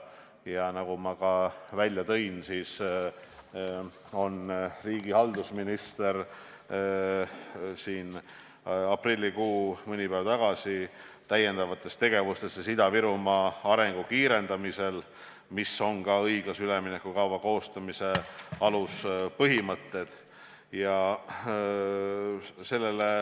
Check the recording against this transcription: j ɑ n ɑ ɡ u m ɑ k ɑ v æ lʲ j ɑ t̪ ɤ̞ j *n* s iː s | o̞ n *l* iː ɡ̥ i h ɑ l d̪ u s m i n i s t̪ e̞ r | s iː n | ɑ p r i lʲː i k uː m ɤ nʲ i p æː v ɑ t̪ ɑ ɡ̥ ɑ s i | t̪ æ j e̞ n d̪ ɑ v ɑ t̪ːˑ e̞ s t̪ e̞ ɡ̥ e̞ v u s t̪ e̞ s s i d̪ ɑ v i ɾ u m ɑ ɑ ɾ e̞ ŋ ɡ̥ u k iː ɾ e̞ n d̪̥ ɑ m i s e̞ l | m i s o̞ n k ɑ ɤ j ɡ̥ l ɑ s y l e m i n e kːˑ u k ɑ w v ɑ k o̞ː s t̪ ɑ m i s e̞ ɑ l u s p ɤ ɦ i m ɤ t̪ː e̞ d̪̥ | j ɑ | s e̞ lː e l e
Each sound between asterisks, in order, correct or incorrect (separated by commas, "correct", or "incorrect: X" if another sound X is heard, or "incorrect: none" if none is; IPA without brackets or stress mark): correct, incorrect: r